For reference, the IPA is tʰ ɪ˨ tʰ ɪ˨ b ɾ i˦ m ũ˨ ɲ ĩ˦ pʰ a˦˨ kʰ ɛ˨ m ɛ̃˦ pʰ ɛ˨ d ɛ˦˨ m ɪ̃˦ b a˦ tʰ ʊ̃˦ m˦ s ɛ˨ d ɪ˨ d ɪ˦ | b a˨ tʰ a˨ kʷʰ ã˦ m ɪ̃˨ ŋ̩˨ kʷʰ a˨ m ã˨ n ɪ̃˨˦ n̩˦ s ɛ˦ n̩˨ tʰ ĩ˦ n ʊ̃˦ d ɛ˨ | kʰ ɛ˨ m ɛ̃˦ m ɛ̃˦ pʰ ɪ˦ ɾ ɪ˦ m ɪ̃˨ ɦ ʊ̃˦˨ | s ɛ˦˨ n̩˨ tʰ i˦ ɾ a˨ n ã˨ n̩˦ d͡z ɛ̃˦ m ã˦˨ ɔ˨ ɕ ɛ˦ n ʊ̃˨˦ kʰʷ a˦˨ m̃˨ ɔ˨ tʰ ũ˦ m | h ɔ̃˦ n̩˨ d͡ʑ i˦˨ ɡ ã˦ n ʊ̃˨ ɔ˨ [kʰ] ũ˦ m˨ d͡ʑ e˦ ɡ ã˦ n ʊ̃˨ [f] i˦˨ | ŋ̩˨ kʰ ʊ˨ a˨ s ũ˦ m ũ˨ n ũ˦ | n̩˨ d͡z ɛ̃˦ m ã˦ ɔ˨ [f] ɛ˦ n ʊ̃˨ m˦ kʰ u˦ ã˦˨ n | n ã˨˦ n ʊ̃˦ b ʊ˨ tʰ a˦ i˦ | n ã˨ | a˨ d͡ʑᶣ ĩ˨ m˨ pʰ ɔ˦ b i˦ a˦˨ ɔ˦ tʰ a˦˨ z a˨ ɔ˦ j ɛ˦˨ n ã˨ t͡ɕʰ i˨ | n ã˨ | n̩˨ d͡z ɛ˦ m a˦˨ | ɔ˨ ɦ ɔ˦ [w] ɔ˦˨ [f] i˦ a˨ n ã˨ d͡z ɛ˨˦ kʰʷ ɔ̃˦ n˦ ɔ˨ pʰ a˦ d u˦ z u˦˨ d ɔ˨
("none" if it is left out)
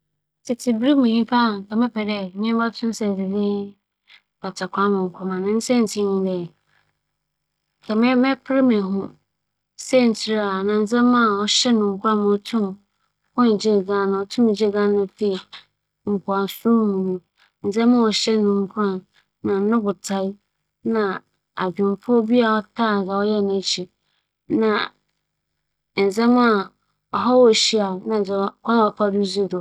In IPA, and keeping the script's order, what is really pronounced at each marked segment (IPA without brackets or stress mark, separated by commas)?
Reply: tʰ, f, ɕ, w, ɕ